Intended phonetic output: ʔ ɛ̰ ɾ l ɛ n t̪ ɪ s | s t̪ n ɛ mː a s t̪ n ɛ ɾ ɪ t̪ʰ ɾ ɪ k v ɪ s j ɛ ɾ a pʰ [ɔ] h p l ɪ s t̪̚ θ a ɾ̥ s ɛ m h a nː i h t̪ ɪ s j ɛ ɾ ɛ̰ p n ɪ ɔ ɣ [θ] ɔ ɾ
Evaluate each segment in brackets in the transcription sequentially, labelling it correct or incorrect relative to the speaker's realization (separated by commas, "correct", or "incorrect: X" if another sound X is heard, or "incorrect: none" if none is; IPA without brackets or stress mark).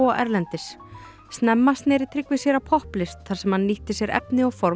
correct, incorrect: f